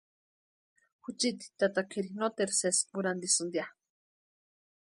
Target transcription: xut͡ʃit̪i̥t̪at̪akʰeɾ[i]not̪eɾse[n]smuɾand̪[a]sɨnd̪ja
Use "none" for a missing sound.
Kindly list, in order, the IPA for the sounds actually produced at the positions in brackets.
i, none, i

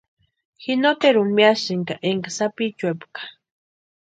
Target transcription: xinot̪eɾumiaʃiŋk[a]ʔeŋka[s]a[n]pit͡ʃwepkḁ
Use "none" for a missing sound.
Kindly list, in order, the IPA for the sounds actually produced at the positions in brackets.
a, s, none

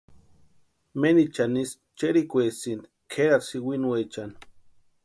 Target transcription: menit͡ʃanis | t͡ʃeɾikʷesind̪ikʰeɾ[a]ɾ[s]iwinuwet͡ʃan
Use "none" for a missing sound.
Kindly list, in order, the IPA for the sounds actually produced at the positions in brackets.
a, s

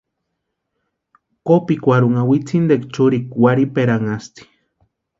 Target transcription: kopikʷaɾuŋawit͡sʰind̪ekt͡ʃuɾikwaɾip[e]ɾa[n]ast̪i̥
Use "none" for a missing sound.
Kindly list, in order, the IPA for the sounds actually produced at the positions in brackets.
e, ŋ

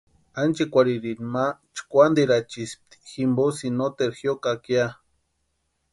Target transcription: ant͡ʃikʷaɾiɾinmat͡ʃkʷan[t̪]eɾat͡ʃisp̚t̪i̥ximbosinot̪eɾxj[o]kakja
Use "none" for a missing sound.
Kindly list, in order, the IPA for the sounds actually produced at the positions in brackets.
d̪, o

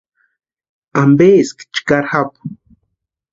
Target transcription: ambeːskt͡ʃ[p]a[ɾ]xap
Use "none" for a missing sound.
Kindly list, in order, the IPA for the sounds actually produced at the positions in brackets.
k, ɾ

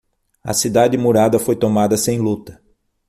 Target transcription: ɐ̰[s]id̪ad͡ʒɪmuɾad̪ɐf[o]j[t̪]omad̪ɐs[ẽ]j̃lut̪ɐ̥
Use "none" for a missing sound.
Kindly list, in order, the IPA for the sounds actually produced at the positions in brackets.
s, o, t̪, ẽ

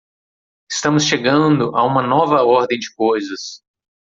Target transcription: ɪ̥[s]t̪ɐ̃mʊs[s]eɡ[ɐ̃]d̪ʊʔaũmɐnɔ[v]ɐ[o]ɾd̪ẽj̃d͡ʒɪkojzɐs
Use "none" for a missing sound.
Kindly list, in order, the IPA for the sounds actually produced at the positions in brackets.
s, ʃ, ɐ̃, v, ɔ

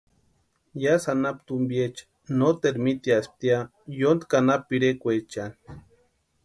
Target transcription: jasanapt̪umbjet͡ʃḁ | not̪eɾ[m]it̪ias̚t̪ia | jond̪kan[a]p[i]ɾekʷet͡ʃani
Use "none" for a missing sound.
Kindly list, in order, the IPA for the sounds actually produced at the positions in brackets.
m, a, i

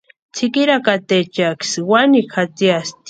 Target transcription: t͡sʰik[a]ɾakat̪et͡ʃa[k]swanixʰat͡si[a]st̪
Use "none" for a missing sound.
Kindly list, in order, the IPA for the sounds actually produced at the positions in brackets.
i, k, a

